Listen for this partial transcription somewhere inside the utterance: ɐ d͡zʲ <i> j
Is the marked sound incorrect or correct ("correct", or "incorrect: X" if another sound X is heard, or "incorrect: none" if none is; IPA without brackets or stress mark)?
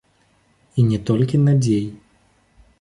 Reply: incorrect: e